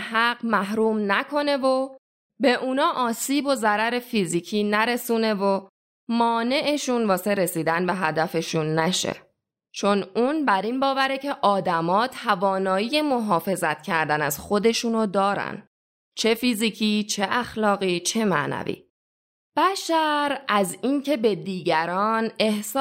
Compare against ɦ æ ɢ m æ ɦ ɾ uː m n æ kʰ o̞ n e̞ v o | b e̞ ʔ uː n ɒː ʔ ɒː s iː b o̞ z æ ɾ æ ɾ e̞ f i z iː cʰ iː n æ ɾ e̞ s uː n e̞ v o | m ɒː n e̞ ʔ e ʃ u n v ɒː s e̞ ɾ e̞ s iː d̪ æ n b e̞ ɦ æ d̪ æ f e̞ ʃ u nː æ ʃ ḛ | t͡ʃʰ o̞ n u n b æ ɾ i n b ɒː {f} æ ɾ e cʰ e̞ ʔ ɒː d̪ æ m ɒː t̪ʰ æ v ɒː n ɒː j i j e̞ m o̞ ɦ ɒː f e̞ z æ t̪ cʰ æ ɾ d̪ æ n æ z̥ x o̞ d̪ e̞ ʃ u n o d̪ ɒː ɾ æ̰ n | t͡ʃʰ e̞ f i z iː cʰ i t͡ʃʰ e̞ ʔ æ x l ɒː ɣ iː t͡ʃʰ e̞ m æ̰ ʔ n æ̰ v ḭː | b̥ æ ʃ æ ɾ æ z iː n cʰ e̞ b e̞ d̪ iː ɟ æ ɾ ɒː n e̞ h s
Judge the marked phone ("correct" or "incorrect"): incorrect